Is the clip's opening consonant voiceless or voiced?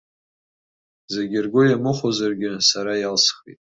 voiced